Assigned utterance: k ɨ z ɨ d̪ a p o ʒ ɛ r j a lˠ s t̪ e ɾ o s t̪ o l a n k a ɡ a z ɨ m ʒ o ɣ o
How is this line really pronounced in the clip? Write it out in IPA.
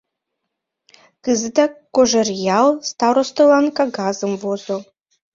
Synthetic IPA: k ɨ z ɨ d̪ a k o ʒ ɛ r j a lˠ s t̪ a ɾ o s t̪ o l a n k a ɡ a z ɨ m v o z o